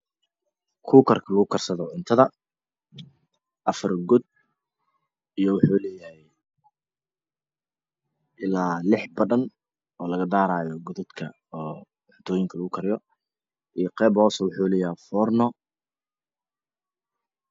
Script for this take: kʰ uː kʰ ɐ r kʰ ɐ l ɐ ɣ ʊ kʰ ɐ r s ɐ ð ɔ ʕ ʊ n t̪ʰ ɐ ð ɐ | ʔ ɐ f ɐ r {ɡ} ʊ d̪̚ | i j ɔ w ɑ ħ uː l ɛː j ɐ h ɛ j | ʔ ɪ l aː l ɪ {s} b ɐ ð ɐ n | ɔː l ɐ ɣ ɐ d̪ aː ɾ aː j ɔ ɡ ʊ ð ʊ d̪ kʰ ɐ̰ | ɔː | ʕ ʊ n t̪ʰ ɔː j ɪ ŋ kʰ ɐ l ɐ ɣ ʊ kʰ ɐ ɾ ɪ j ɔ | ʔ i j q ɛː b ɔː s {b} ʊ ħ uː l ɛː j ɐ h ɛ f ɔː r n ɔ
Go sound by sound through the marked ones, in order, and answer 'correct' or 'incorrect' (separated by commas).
correct, incorrect, incorrect